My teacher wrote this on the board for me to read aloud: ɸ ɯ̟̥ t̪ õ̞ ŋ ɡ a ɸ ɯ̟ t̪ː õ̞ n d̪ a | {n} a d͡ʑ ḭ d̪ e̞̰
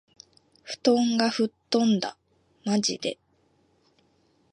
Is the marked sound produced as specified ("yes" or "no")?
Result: no